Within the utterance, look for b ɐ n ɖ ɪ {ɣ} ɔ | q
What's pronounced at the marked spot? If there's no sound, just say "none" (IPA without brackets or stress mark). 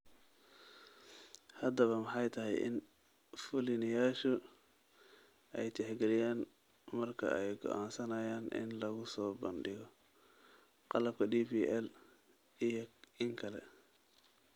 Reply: ɣ